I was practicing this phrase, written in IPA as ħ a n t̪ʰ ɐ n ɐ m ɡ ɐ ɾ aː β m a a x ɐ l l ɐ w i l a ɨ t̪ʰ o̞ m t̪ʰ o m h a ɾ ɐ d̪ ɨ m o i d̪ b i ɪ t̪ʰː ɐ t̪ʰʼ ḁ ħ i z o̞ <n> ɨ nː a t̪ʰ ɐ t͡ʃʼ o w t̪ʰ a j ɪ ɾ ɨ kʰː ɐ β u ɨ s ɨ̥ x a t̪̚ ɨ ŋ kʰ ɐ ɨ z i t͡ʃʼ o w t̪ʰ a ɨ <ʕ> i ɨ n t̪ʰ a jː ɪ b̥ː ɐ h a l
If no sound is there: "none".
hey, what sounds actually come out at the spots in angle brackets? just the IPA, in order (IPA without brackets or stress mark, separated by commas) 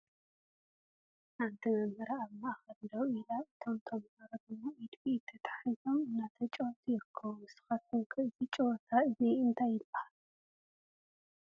m, z